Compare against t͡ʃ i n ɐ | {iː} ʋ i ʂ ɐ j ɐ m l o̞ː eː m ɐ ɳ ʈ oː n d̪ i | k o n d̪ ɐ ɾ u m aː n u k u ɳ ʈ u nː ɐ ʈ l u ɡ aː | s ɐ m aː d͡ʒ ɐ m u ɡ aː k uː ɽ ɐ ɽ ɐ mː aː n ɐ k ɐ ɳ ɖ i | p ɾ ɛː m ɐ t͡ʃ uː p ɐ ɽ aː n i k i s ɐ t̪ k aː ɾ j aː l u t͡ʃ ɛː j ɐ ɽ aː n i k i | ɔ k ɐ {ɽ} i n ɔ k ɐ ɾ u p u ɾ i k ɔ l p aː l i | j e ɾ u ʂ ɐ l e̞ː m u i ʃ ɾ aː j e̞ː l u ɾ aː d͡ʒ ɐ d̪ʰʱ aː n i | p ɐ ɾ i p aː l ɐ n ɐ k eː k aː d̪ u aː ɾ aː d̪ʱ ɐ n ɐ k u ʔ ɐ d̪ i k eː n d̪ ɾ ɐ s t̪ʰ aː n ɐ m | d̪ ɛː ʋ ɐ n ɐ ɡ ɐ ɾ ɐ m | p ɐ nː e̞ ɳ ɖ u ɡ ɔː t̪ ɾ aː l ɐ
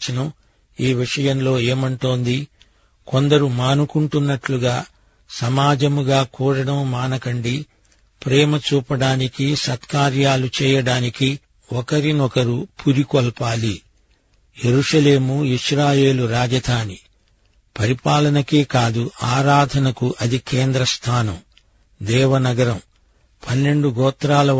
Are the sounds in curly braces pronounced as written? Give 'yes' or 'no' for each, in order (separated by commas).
yes, no